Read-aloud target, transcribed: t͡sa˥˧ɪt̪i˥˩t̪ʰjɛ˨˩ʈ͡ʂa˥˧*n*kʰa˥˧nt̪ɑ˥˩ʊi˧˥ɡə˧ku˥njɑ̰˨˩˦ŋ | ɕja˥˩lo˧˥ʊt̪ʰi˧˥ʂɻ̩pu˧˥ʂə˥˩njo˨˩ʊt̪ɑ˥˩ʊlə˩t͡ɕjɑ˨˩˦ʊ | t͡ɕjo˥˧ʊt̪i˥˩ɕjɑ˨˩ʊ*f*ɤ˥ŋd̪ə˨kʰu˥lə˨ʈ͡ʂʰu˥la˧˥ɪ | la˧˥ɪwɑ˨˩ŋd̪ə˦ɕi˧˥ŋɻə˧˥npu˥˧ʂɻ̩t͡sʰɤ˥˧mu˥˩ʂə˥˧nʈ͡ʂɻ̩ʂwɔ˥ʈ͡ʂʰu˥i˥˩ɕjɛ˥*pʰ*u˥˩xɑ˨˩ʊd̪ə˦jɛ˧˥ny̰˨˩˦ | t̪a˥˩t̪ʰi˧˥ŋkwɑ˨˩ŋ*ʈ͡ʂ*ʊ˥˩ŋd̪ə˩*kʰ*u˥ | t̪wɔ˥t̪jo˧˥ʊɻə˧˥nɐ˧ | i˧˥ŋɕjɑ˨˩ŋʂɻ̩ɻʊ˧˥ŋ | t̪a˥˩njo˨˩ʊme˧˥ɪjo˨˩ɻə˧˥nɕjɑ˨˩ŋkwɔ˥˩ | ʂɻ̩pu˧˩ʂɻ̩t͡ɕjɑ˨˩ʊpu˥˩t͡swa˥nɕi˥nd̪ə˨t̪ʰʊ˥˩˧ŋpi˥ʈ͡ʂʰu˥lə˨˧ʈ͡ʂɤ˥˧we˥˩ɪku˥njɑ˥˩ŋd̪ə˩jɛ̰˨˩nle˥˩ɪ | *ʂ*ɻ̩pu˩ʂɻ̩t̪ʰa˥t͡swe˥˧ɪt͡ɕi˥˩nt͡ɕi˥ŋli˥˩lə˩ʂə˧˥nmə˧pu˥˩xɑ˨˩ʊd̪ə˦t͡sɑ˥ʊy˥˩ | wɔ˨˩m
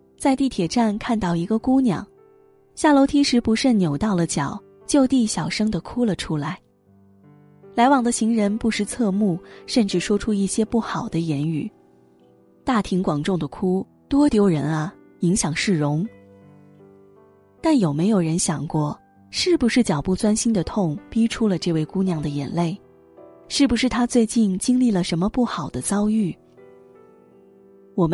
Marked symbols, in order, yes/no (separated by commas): yes, no, no, yes, yes, yes